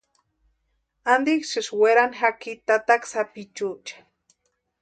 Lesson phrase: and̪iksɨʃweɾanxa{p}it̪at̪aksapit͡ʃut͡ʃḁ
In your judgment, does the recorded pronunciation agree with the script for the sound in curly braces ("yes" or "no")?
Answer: no